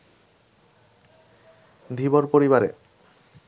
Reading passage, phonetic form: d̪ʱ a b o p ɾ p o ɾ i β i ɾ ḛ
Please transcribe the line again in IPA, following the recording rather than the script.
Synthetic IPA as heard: d̪ʱ i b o ɾ p o ɾ i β a ɾ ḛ